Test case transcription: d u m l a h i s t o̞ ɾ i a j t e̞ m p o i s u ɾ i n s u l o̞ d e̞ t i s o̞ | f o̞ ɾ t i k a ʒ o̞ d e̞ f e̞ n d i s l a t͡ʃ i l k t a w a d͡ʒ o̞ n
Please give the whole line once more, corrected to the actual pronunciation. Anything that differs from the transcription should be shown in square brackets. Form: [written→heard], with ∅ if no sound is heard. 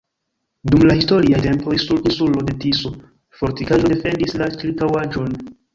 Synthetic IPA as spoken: d u m l a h i s t o̞ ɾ i a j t e̞ m p o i s u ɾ i n s u l o̞ d e̞ t i s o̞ | f o̞ ɾ t i k a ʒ o̞ d e̞ f e̞ n d i s l a t͡ʃ i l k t a w a d͡ʒ o̞ n

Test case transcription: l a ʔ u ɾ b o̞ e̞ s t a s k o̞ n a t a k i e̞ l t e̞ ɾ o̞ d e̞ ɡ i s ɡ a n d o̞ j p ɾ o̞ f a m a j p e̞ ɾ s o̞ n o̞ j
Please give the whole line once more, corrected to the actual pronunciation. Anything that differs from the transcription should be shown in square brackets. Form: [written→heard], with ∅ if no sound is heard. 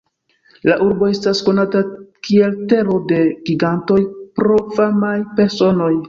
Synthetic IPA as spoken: l a ʔ u ɾ b o̞ e̞ s t a s k o̞ n a t a k i e̞ l t e̞ ɾ o̞ d e̞ ɡ i [s→∅] ɡ a n [d→t] o̞ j p ɾ o̞ f a m a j p e̞ ɾ s o̞ n o̞ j

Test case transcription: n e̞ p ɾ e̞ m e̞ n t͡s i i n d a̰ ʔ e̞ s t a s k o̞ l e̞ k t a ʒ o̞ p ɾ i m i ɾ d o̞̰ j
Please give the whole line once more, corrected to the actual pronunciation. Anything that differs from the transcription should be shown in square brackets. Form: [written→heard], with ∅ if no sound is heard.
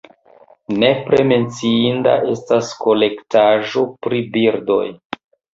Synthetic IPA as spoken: n e̞ p ɾ e̞ m e̞ n t͡s i i n d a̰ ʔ e̞ s t a s k o̞ l e̞ k t a ʒ o̞ p ɾ i [m→b] i ɾ d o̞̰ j

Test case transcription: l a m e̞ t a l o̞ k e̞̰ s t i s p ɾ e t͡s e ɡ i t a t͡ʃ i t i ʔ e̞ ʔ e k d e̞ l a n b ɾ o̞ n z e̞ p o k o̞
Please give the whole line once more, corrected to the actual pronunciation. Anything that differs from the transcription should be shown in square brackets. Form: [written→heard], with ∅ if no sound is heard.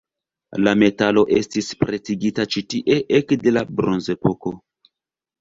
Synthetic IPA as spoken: l a m e̞ t a l o̞ [k→ʔ] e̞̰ s t i s p ɾ e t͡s [e→i] ɡ i t a t͡ʃ i t i ʔ e̞ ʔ e k d e̞ l a [n→∅] b ɾ o̞ n z e̞ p o k o̞

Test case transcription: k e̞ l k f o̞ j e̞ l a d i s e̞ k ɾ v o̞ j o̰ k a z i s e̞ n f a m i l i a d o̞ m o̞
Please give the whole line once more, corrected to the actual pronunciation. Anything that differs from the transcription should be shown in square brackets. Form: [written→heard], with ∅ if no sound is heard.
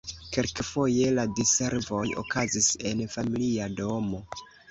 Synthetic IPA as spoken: k e̞ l k f o̞ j e̞ l a d i s e̞ [k→∅] ɾ v o̞ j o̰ k a z i s e̞ n f a m i l i a d o̞ m o̞

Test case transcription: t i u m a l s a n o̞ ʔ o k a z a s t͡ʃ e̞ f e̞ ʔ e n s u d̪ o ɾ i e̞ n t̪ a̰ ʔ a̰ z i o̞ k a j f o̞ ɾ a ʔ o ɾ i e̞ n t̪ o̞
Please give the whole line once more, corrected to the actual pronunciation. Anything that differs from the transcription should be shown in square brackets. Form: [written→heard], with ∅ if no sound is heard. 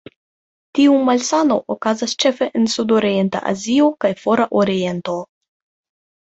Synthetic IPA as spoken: t i u m a l s a n o̞ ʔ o k a z a s t͡ʃ e̞ f e̞ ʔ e n s u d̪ o ɾ i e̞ n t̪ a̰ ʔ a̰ z i o̞ k a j f o̞ ɾ a ʔ o ɾ i e̞ n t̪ o̞

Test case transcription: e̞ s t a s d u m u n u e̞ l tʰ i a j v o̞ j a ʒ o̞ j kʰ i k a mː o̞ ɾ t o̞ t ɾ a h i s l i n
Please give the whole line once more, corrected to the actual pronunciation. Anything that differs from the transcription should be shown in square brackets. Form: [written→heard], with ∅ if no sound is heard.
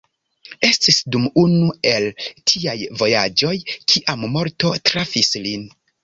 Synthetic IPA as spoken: e̞ s t [a→i] s d u m u n u e̞ l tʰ i a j v o̞ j a [ʒ→d͡ʒ] o̞ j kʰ i [k→ʔ] a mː o̞ ɾ t o̞ t ɾ a [h→f] i s l i n

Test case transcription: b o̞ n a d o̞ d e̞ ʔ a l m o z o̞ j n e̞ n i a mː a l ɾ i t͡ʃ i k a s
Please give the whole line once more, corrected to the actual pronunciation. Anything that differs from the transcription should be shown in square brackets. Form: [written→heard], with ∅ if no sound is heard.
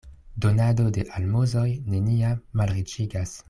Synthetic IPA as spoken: [b→d] o̞ n a d o̞ d e̞ ʔ a l m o z o̞ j n e̞ n i a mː a l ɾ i t͡ʃ i [k→ɡ] a s

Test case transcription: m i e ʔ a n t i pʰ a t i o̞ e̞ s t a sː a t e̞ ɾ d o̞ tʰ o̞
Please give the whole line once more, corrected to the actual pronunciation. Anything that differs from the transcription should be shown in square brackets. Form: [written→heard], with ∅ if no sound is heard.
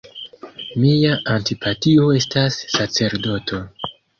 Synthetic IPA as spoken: m i [e→a] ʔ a n t i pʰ a t i o̞ e̞ s t a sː a [t→t͡s] e̞ ɾ d o̞ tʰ o̞

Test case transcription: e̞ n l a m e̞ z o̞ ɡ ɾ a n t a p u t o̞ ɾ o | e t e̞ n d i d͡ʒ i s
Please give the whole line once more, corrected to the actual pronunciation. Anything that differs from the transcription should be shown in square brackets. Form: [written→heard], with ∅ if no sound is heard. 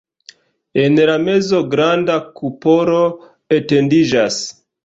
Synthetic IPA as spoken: e̞ n l a m e̞ z o̞ ɡ ɾ a n [t→d] a [p→k] u [t→p] o̞ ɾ o | e t e̞ n d i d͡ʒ [i→a] s

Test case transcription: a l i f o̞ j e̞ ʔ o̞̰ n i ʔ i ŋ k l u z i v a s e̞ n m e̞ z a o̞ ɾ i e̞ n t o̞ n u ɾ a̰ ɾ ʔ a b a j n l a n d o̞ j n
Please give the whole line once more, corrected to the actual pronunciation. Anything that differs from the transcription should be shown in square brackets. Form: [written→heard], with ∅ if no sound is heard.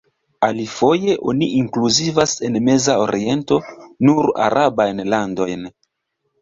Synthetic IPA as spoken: a l i f o̞ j e̞ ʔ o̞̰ n i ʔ i ŋ k l u z i v a s e̞ n m e̞ z a o̞ ɾ i e̞ n t o̞ n u ɾ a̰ ɾ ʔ a b a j n l a n d o̞ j n

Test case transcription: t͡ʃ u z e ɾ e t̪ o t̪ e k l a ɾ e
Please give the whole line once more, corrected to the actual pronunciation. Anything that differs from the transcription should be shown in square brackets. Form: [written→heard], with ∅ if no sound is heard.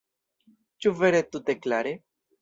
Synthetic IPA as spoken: t͡ʃ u [z→v] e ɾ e t̪ [o→u] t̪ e k l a ɾ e

